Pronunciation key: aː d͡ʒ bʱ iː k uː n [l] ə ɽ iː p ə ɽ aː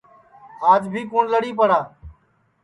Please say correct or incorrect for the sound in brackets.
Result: correct